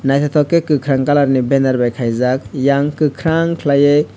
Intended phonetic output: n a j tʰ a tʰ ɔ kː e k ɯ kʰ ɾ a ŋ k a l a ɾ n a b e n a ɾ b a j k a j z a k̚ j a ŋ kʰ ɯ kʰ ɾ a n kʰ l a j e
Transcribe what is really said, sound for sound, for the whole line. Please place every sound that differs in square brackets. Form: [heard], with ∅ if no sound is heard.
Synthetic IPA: n a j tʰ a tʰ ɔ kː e k ɯ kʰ ɾ a ŋ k a l a ɾ n [i] b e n a ɾ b a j [kʰ] a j z a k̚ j a ŋ [k] ɯ kʰ ɾ a [ŋ] kʰ l a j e

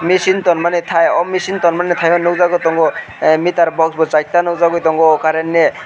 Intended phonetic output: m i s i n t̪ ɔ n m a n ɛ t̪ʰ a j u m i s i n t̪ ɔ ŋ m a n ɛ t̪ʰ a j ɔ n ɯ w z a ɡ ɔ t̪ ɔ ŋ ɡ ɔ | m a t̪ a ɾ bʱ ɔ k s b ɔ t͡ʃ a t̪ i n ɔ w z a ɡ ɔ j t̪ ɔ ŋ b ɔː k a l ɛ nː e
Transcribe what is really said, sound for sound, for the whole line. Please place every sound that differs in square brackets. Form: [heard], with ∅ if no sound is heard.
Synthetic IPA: m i s i n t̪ ɔ n m a n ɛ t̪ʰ a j [ɔ] m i s i n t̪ ɔ [n] m a n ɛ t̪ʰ a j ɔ n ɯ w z a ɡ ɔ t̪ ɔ ŋ ɡ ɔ | m [i] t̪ a ɾ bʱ ɔ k s b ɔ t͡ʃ a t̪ [a] n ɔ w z a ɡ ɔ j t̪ ɔ ŋ [ɡ] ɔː k a [ɾ] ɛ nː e

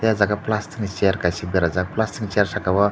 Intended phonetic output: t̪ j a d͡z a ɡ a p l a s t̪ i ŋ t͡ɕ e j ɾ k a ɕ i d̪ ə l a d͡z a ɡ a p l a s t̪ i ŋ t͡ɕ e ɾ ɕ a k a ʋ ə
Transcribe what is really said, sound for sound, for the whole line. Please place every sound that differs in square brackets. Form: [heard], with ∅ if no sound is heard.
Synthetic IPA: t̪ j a d͡z a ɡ a p l a s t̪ i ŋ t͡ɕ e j ɾ k a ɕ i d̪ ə [ɾ] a d͡z a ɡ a p l a s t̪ i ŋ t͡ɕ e ɾ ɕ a k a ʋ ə

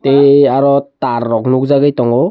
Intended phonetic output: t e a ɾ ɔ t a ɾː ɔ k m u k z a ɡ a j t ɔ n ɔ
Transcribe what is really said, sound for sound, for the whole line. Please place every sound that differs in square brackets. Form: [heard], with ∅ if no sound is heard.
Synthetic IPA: t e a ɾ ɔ t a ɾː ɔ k [n] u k z a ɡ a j t ɔ [ŋ] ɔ

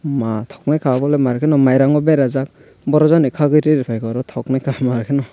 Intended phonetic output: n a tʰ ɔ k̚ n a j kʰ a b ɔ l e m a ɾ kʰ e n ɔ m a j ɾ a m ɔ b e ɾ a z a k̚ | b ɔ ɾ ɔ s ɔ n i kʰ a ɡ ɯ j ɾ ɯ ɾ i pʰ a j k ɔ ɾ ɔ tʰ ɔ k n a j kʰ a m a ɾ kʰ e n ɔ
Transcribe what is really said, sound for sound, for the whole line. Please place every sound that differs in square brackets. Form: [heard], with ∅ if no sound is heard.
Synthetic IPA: [m] a tʰ ɔ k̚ n a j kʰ a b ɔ l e m a ɾ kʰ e n ɔ m a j ɾ a [ŋ] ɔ b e ɾ a z a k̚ | b ɔ ɾ ɔ [z] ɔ n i kʰ a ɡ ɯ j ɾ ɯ ɾ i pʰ a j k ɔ ɾ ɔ tʰ ɔ k n a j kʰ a m a ɾ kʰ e n ɔ

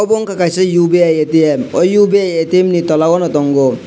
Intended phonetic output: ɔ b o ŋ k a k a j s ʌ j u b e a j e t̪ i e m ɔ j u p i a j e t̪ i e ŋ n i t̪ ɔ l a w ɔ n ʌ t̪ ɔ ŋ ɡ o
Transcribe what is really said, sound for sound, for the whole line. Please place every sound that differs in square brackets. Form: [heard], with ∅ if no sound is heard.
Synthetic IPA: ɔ b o ŋ k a k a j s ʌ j u b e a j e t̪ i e m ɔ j u [b] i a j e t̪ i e [m] n i t̪ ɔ l a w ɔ n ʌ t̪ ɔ ŋ ɡ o

